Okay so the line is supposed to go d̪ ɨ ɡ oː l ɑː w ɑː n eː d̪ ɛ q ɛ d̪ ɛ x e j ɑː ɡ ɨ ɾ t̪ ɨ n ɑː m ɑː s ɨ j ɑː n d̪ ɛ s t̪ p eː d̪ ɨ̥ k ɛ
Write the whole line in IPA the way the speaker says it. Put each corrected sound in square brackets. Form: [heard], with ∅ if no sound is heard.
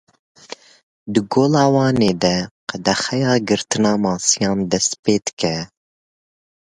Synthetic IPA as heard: d̪ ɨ ɡ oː l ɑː w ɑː n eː d̪ ɛ q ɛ d̪ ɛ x [ɛ] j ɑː ɡ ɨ ɾ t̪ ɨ n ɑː m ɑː s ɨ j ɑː n d̪ ɛ s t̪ p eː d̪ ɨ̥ k ɛ